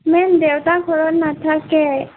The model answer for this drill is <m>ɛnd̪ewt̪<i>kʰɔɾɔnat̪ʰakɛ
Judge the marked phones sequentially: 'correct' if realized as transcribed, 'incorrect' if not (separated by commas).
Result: correct, incorrect